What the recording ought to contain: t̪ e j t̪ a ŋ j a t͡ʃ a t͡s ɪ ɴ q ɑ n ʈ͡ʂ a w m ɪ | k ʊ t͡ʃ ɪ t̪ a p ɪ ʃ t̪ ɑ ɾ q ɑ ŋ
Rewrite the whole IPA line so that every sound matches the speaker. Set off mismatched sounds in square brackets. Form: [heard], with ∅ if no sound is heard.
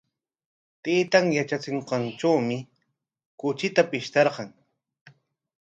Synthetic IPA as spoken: t̪ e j t̪ a ŋ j a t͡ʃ a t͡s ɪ ɴ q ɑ n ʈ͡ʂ a w m ɪ | k ʊ t͡ʃ ɪ t̪ a p ɪ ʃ t̪ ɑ ɾ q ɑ ŋ